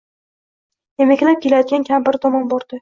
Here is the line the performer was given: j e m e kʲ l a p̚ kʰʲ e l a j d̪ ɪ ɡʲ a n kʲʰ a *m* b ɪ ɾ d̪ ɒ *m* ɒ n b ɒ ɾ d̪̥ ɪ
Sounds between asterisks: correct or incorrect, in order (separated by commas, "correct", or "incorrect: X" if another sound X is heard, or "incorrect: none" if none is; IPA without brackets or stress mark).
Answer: correct, correct